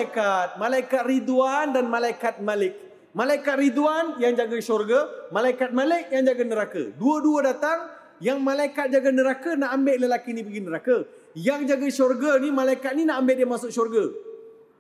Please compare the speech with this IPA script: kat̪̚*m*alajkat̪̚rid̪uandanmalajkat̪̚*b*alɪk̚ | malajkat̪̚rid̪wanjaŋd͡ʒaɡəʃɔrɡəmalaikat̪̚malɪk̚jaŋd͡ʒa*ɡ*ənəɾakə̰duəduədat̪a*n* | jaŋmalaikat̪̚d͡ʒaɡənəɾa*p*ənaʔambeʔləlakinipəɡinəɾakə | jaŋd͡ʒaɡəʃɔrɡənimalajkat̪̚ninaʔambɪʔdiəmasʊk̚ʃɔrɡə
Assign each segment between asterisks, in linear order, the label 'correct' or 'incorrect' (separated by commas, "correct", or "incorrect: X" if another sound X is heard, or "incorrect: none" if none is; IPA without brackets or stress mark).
correct, incorrect: m, correct, incorrect: ŋ, incorrect: k